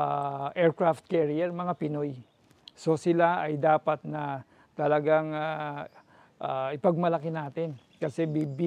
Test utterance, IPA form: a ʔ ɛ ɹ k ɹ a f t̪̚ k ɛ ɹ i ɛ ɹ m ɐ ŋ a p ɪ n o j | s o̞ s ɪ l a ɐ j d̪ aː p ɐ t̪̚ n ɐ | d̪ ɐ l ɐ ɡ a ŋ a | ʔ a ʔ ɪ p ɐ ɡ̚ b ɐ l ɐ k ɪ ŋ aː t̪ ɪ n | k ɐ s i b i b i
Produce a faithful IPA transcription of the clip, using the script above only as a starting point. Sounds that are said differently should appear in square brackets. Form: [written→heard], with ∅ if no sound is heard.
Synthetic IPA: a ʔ ɛ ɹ k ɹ a f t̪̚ k ɛ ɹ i ɛ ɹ m ɐ ŋ a p ɪ n o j | s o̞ s ɪ l a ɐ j d̪ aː p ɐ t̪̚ n ɐ | [d̪→t̪] ɐ l ɐ ɡ a ŋ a | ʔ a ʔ ɪ p ɐ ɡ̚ [b→m] ɐ l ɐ k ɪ [ŋ→n] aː t̪ ɪ n | k ɐ s [i→ɛ] b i b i